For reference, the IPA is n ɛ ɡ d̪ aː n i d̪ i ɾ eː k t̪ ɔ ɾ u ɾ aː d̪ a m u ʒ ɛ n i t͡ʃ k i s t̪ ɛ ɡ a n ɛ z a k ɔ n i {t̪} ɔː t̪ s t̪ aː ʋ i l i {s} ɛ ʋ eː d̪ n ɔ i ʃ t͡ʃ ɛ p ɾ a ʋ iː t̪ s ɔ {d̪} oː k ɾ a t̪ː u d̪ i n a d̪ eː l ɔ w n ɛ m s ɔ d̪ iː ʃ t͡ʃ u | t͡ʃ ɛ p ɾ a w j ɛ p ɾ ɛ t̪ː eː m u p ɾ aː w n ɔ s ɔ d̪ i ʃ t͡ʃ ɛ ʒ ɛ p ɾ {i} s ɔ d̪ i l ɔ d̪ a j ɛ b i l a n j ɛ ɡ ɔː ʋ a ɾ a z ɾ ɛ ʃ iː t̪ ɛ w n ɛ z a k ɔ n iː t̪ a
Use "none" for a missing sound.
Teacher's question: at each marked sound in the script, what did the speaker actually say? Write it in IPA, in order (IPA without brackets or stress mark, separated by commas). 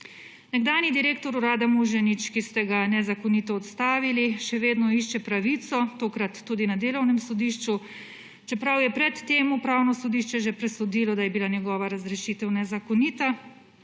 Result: t̪, ʃ, t̪, ɛ